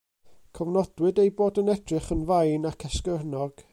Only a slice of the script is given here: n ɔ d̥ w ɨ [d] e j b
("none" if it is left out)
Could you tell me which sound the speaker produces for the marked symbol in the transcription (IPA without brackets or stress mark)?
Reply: d